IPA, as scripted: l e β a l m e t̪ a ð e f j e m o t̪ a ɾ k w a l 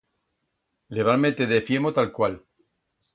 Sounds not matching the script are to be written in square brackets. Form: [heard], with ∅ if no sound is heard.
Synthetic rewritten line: l e β a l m e t̪ [e] ð e f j e m o t̪ a [l] k w a l

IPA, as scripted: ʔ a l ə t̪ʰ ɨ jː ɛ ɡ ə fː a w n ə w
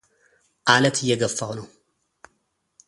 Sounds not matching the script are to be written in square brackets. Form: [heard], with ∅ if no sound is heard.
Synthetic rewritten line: ʔ a l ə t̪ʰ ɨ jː ɛ ɡ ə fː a w n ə w

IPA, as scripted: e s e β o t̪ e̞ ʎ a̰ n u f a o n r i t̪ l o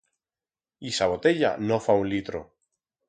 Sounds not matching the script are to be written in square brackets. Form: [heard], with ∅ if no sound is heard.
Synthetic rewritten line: [i] s [a] β o t̪ e̞ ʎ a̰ n [o] f a [u] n [l] i t̪ [ɾ] o

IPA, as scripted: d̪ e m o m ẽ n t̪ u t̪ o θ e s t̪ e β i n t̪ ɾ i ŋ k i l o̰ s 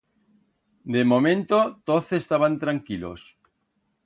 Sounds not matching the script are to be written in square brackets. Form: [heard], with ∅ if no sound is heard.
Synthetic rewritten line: d̪ e m o m ẽ n t̪ [o] t̪ o θ e s t̪ [a] β [a] n t̪ ɾ [a] ŋ k i l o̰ s

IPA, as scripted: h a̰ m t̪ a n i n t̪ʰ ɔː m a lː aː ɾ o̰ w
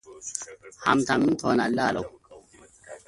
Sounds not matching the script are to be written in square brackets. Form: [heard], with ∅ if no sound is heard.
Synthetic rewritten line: h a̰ m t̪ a [m] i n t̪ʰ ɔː [n] a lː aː [l] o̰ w

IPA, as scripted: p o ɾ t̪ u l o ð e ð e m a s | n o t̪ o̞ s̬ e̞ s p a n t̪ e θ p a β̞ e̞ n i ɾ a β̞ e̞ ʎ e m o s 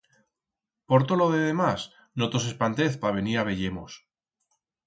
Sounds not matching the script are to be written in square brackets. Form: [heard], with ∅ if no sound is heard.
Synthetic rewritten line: p o ɾ t̪ [o] l o ð e ð e m a s | n o t̪ o̞ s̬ e̞ s p a n t̪ e θ p a β̞ e̞ n i ɾ a β̞ e̞ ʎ e m o s

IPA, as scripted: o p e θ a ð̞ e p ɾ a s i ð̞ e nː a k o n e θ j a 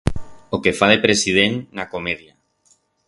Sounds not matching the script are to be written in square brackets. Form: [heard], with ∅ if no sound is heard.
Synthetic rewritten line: o [k] e [f] a ð̞ e p ɾ [e] s i ð̞ e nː a k o [m] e [ð] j a

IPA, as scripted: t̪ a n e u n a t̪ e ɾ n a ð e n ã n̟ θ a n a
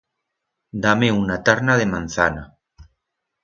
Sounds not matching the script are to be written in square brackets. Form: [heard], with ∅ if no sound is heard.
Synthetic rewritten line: [d̪] a [m] e u n a t̪ [a] ɾ n a ð e [m] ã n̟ θ a n a

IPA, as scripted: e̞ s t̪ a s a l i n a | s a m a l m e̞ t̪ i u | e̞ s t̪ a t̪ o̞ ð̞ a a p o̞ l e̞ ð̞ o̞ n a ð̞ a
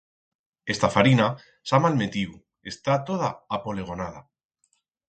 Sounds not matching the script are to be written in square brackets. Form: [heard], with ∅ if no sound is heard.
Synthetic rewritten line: e̞ s t̪ a [f] a [ɾ] i n a | s a m a l m e̞ t̪ i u | e̞ s t̪ a t̪ o̞ ð̞ a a p o̞ l e̞ [ɣ̞] o̞ n a ð̞ a

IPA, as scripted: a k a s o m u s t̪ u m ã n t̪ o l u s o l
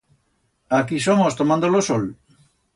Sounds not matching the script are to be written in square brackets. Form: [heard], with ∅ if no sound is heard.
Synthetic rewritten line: a k [i] s o m [o] s t̪ [o] m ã n [d̪] o l [o] s o l

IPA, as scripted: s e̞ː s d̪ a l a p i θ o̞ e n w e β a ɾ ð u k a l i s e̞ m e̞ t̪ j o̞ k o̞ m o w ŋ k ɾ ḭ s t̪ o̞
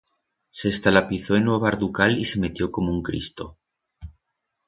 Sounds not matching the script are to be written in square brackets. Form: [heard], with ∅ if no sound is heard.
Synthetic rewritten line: s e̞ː s [t̪] a l a p i θ o̞ e n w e β a ɾ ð u k a l i s e̞ m e̞ t̪ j o̞ k o̞ m o [u] ŋ k ɾ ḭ s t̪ o̞

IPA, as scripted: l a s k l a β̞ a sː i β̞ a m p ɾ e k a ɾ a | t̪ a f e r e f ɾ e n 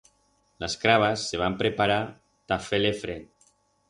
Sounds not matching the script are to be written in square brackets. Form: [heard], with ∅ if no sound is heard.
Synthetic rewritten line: l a s k [ɾ] a β̞ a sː [e] β̞ a m p ɾ e [p] a ɾ a | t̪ a f e [l] e f ɾ e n

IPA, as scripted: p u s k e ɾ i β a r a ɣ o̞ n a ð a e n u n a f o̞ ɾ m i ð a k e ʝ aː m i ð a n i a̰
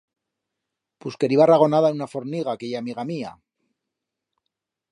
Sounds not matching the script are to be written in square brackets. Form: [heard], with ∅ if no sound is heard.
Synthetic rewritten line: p u s k e ɾ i β a r a ɣ o̞ n a ð a e n u n a f o̞ ɾ [n] i [ɣ] a k e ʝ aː m i [ɣ] a [m] i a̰

